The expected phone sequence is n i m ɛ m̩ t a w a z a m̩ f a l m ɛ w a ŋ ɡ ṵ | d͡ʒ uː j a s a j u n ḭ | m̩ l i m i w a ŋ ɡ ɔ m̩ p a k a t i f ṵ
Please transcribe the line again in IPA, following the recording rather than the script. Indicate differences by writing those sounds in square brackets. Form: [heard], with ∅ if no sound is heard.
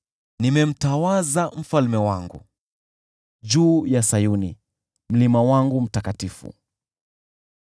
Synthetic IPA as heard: n i m ɛ m̩ t a w a z a m̩ f a l m ɛ w a ŋ ɡ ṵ | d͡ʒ uː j a s a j u n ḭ | m̩ l i m [a] w a ŋ ɡ [u] m̩ [t] a k a t i f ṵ